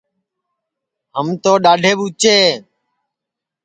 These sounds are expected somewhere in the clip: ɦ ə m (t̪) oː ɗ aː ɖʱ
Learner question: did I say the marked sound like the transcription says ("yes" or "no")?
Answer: yes